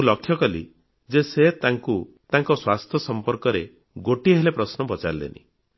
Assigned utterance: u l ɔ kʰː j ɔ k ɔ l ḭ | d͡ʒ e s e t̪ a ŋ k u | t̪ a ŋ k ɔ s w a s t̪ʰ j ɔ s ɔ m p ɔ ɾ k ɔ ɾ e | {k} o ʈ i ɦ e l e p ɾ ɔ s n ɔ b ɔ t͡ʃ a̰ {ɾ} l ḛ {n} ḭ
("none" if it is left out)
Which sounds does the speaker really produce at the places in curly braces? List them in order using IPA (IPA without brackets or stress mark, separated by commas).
ɡ, ɾ, n